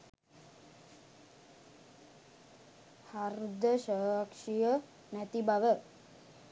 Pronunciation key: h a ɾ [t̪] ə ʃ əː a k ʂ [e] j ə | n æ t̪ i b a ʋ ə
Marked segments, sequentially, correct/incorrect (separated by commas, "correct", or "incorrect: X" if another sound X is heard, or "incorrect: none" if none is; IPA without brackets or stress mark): incorrect: d̪, incorrect: i